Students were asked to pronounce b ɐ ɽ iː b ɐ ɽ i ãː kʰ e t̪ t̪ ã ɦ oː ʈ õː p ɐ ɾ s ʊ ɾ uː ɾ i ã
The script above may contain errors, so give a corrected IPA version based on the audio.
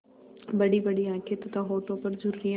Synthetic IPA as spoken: b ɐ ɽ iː b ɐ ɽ i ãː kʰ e t̪ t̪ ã ɦ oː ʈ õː p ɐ ɾ z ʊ ɾ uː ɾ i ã